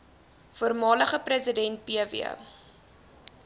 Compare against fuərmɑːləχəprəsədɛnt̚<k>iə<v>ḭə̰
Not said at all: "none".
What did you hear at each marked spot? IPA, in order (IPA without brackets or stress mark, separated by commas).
p, v